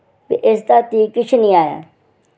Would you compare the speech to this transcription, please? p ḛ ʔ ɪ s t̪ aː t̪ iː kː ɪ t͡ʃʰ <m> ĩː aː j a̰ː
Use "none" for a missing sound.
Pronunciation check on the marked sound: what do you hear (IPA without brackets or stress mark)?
n